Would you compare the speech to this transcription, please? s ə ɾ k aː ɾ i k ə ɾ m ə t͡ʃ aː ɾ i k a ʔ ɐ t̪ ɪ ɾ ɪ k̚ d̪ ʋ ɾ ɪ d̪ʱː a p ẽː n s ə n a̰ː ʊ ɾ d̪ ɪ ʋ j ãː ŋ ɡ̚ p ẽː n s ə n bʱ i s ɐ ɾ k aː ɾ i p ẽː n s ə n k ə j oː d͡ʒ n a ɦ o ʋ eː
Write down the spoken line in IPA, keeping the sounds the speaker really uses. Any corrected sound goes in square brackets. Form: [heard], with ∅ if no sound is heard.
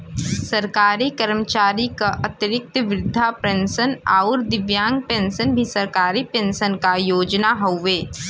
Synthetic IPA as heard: s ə ɾ k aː ɾ i k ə ɾ m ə t͡ʃ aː ɾ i k a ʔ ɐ t̪ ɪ ɾ ɪ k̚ [t̪] ʋ ɾ ɪ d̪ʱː a p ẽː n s ə n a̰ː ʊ ɾ d̪ ɪ ʋ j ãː ŋ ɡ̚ p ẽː n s ə n bʱ i s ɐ ɾ k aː ɾ i p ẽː n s ə n k [a] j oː d͡ʒ n a ɦ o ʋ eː